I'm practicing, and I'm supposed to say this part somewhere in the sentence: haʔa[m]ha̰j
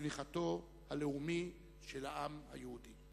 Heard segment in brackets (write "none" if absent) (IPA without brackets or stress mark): m